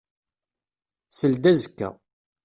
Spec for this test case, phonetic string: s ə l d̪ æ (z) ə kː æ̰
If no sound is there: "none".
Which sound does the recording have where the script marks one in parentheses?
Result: z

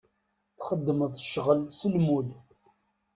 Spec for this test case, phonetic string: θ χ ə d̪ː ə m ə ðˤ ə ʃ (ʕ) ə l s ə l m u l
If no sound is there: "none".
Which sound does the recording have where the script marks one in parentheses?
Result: ʁ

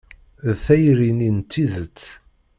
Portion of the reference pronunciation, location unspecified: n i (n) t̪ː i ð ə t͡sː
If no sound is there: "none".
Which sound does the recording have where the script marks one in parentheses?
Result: n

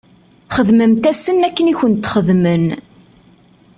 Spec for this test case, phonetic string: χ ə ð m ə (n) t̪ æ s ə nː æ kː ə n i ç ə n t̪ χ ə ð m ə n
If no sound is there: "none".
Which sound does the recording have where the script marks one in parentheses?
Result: m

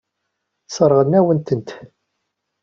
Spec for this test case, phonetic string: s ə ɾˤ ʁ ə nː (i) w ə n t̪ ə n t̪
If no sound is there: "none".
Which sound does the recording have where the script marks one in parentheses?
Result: æ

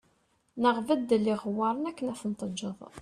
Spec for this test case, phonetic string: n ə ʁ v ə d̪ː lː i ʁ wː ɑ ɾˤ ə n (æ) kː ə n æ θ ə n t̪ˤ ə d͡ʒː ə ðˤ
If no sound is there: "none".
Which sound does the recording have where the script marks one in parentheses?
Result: æ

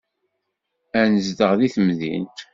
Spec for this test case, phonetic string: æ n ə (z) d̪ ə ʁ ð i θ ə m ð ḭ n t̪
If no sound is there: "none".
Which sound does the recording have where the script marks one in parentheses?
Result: z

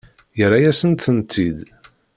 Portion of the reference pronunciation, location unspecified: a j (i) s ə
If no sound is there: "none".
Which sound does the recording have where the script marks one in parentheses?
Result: æ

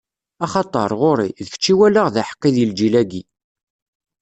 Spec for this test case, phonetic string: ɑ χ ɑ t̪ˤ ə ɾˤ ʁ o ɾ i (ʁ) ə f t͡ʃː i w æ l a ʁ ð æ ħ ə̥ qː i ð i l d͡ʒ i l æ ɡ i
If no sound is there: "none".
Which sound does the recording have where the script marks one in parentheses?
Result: ð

